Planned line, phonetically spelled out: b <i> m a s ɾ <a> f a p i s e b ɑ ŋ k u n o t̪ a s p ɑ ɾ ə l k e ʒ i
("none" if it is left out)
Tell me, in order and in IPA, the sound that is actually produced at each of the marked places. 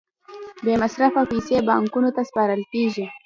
e, a

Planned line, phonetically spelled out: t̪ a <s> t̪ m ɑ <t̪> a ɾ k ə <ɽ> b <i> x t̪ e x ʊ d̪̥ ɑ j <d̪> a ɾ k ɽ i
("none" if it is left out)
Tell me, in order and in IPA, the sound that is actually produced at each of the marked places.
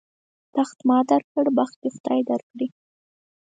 x, d̪, ɽ, a, d̪

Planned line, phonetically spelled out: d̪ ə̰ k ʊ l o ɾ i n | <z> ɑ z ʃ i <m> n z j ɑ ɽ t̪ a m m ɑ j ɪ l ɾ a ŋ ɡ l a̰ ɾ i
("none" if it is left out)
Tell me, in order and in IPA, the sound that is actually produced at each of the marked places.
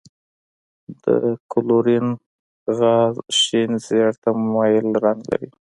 ɣ, none

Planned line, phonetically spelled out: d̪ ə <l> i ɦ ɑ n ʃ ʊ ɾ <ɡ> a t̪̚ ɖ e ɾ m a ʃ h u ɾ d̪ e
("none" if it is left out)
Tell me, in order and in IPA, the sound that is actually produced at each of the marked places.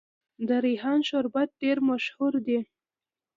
ɾ, b

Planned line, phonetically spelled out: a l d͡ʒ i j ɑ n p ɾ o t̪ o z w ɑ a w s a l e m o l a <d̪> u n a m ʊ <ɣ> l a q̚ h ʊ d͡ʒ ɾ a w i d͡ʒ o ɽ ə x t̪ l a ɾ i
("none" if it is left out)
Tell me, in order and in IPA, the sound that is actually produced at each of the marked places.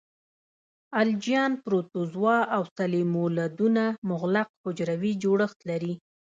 d̪, ɣ

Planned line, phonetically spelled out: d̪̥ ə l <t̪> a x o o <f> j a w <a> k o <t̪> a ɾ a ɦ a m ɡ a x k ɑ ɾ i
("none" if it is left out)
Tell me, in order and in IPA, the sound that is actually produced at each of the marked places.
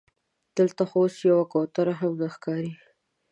t̪, s, a, t̪

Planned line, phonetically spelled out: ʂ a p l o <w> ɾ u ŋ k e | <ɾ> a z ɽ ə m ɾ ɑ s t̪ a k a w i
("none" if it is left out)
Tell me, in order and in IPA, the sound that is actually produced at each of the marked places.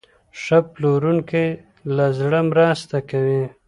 none, l

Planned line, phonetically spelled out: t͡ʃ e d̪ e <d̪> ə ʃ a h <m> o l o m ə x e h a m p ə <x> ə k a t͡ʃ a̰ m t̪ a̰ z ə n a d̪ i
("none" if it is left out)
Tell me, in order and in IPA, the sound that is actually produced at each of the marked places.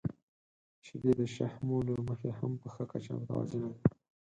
d̪, m, x

